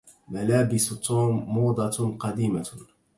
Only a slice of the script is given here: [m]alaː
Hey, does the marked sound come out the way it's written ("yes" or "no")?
yes